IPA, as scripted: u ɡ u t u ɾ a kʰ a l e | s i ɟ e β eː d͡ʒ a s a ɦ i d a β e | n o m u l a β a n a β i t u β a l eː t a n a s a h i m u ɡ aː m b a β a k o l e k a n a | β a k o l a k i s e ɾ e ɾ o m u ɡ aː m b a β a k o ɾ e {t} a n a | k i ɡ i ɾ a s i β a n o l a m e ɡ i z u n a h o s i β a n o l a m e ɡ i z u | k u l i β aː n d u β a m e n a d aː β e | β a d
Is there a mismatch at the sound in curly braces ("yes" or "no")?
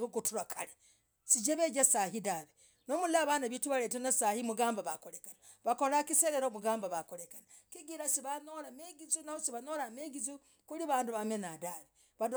yes